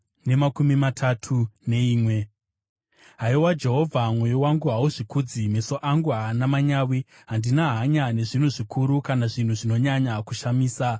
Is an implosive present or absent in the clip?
absent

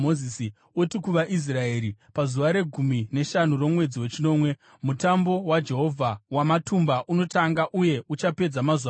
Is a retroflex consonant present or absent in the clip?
absent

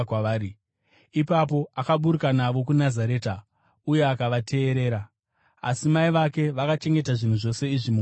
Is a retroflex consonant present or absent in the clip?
present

